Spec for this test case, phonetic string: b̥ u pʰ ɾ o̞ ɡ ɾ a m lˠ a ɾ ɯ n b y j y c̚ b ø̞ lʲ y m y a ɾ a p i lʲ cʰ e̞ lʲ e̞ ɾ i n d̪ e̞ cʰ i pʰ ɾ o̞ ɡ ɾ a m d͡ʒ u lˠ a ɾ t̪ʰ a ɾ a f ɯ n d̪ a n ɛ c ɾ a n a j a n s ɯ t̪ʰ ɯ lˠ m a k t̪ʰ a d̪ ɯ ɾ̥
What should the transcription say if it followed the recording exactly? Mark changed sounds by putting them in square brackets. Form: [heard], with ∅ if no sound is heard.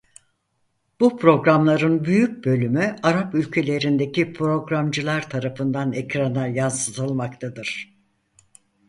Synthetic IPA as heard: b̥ u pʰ ɾ o̞ ɡ ɾ a m lˠ a ɾ ɯ n b y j y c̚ b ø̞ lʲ y m y a ɾ a p [y] lʲ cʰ e̞ lʲ e̞ ɾ i n d̪ e̞ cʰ i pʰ ɾ o̞ ɡ ɾ a m d͡ʒ [ɯ] lˠ a ɾ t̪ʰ a ɾ a f ɯ n d̪ a n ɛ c ɾ a n a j a n s ɯ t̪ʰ ɯ lˠ m a k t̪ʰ a d̪ ɯ ɾ̥